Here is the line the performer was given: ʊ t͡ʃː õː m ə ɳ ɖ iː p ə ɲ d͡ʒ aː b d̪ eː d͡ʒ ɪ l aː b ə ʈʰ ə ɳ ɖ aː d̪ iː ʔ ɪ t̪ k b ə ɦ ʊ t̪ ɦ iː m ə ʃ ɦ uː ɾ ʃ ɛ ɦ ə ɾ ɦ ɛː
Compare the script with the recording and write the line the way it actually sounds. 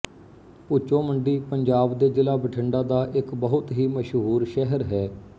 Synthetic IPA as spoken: ʊ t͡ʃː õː m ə ɳ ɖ iː p ə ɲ d͡ʒ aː b d̪ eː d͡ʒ ɪ l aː b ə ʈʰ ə ɳ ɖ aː d̪ aː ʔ ɪ k b ə ɦ ʊ t̪ ɦ iː m ə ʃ ɦ uː ɾ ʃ ɛ ɦ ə ɾ ɦ ɛː